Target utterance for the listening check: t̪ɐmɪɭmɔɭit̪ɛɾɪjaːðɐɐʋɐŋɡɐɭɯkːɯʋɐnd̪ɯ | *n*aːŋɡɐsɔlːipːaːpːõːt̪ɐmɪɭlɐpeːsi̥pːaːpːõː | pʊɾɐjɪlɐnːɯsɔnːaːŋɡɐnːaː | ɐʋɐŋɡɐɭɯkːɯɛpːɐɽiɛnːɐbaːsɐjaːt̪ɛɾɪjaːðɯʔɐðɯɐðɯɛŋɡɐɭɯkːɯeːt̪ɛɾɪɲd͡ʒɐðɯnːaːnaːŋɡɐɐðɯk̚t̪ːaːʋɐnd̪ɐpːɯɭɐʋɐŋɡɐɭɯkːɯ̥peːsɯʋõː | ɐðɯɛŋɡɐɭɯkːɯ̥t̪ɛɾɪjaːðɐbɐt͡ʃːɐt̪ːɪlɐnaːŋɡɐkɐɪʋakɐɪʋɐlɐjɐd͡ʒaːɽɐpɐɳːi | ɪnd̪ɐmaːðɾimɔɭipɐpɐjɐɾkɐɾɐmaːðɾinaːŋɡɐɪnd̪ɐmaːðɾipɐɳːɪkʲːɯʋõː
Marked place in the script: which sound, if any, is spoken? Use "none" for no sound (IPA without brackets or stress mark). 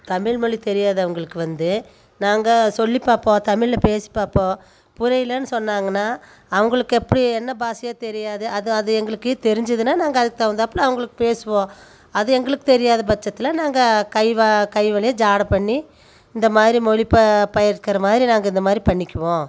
n